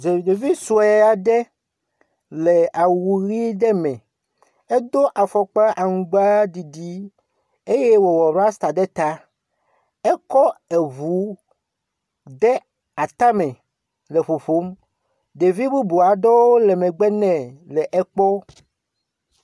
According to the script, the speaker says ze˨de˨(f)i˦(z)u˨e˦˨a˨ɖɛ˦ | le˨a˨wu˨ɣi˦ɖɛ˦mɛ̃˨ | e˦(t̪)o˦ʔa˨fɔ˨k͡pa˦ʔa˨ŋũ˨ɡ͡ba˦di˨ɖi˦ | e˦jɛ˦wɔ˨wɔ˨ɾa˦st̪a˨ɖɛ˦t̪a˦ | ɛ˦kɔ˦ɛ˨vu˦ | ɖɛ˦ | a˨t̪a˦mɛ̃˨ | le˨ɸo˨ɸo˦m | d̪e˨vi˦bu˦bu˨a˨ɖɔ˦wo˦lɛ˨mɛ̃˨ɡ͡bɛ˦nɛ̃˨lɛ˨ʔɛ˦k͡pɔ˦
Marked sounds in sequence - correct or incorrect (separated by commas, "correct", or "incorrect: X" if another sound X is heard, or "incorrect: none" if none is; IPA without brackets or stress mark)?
incorrect: v, incorrect: s, incorrect: d̪